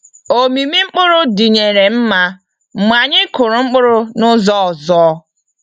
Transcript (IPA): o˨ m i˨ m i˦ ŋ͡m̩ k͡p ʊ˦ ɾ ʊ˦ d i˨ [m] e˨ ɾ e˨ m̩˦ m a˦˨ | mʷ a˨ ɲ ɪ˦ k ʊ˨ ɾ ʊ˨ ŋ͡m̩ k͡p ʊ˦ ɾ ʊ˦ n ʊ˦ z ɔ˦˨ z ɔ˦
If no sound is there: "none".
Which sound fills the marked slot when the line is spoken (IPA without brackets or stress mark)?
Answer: ɲ